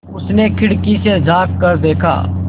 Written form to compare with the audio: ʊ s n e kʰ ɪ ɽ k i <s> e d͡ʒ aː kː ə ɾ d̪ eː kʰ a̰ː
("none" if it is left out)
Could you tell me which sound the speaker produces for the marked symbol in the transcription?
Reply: s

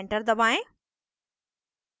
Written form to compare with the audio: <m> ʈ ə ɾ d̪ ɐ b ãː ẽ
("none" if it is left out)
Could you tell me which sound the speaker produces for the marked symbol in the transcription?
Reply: ɳ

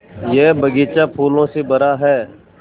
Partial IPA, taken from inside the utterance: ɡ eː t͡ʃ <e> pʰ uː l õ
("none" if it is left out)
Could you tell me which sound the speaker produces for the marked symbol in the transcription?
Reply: a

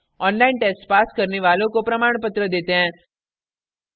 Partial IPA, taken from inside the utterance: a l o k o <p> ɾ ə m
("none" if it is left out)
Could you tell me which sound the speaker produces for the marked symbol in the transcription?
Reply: p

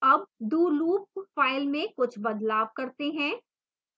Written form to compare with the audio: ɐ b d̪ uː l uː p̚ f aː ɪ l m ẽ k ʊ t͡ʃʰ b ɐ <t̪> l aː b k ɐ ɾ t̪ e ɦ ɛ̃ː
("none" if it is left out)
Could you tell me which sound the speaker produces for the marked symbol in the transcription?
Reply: d̪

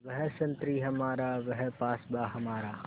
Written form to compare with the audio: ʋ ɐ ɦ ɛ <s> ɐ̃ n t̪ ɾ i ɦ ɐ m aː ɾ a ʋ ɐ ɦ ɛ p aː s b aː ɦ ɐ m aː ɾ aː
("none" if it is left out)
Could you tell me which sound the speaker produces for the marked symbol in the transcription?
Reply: s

